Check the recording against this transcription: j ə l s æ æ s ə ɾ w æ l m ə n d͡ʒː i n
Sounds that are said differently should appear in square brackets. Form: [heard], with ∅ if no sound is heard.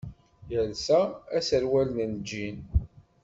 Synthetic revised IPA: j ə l s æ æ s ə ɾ w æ l [n] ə n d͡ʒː i n